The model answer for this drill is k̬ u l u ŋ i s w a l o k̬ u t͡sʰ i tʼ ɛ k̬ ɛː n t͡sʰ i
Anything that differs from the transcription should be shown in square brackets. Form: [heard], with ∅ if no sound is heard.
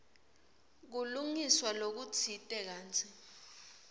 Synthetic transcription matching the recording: k̬ u l u ŋ i s w a l o k̬ u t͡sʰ i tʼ ɛ k̬ [aː] n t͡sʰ i